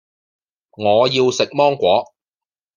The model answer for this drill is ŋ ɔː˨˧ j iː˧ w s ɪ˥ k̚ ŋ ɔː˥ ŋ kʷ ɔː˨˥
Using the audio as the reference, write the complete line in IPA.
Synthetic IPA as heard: ŋ ɔː˨˧ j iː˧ w s ɪ˨ k̚ m ɔː˥ ŋ kʷ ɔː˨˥